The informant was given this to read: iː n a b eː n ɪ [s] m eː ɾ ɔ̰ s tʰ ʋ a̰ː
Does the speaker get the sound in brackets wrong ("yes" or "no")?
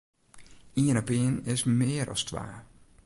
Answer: no